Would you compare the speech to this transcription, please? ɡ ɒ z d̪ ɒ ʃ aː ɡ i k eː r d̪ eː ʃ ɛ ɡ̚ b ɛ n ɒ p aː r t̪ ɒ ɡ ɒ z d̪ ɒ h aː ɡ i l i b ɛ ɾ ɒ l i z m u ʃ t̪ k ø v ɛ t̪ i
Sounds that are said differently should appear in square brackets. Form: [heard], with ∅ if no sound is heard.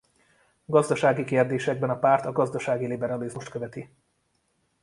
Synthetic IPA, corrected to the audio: ɡ ɒ z d̪ ɒ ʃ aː ɡ i k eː r d̪ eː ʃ ɛ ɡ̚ b ɛ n ɒ p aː r t̪ ɒ ɡ ɒ z d̪ ɒ [ʃ] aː ɡ i l i b ɛ ɾ ɒ l i z m u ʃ t̪ k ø v ɛ t̪ i